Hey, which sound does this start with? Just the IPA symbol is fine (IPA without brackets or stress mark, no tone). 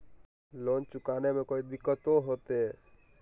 l